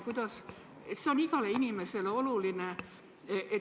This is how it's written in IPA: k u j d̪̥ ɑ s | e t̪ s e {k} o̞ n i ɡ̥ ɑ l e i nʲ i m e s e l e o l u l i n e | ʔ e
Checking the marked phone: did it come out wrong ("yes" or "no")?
yes